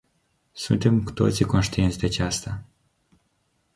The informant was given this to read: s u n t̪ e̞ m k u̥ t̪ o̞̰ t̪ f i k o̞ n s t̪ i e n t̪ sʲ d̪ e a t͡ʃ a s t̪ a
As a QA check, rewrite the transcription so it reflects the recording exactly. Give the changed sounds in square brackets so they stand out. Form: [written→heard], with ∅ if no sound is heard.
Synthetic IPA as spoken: s u n t̪ e̞ m k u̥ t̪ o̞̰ t̪ [f→s] i k o̞ n [s→ʃ] t̪ i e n t̪ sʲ d̪ e a t͡ʃ a s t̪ a